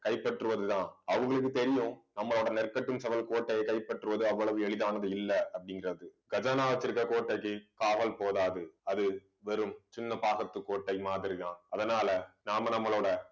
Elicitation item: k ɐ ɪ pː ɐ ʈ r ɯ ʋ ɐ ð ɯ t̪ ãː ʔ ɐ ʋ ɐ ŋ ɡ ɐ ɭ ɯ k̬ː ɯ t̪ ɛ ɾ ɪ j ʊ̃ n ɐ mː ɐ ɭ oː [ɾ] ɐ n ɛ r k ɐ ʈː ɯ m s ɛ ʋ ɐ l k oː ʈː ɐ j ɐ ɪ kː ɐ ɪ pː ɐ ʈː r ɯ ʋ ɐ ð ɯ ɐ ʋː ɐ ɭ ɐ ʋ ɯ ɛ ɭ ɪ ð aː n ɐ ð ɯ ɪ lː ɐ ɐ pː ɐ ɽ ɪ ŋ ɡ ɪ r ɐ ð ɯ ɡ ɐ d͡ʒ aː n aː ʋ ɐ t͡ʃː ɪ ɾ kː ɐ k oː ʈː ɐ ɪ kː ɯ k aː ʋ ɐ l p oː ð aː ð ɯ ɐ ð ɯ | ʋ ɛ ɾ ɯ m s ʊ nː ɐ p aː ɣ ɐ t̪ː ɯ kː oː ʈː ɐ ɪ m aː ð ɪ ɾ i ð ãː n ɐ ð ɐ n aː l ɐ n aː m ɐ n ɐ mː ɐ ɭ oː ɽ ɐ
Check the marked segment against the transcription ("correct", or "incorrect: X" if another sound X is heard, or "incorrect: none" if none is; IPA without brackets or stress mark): incorrect: ɽ